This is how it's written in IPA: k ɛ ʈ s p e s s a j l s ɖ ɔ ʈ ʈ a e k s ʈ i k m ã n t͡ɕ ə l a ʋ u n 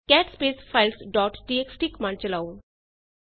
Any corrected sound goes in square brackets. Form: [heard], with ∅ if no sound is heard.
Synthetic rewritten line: k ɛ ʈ s p e s [f] a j l s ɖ ɔ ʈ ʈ [i] e k s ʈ i k m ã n t͡ɕ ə l a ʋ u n